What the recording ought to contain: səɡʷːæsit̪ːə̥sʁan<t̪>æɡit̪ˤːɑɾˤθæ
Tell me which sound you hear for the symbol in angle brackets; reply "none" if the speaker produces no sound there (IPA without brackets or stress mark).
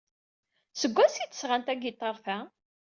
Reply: t̪